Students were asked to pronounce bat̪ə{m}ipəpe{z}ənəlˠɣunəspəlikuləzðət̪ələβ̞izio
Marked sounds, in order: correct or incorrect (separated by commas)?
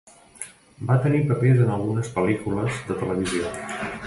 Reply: incorrect, correct